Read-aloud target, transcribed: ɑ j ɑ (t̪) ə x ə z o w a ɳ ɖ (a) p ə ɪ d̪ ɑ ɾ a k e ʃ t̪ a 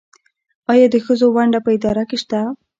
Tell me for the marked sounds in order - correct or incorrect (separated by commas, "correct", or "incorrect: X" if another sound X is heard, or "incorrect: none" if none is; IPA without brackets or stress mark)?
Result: incorrect: d̪, correct